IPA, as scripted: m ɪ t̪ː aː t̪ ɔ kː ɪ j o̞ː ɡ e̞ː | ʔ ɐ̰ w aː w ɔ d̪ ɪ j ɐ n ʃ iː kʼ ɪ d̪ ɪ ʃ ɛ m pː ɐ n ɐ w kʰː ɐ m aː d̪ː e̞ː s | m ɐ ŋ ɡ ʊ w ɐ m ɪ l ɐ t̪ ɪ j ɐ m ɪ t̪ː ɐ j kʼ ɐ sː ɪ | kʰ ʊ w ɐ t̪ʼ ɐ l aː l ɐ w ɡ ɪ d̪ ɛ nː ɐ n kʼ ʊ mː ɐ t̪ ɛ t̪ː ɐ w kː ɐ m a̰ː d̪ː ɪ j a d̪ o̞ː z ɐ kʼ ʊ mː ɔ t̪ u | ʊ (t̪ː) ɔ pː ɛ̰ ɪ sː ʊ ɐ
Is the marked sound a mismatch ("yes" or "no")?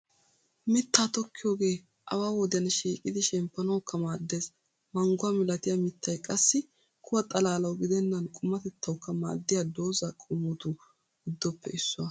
yes